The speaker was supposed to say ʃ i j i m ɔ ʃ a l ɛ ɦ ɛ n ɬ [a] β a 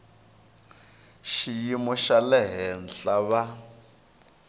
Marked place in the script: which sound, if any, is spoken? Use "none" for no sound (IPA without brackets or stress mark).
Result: a